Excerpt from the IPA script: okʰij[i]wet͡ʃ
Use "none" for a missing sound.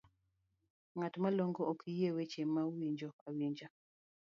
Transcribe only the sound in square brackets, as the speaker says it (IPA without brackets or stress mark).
e